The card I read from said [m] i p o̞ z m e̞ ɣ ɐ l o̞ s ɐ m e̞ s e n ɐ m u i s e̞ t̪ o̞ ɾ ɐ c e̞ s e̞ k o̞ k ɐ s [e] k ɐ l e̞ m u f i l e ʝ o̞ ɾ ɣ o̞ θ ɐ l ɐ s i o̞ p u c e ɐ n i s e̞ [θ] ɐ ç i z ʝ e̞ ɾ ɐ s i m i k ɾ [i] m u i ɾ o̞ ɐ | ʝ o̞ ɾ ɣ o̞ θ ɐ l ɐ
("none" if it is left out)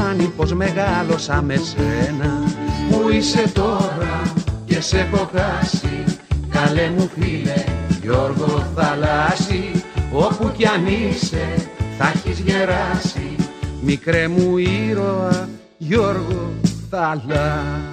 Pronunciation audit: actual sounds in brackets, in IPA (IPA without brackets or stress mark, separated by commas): n, i, θ, e